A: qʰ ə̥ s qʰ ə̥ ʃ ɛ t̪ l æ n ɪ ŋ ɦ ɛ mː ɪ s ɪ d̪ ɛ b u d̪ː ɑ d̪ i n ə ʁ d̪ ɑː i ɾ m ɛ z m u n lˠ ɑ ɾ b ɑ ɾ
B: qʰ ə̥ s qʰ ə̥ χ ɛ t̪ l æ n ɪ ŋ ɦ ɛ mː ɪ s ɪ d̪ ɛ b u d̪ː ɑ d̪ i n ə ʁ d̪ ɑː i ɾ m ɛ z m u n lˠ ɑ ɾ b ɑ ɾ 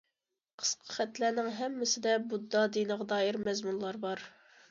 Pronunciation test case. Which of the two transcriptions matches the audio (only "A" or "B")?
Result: B